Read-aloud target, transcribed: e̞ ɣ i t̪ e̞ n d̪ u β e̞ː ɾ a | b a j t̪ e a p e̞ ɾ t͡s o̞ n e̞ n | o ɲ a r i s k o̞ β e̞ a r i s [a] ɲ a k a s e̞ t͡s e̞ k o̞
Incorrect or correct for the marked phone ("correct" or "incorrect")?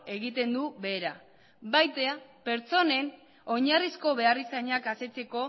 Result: correct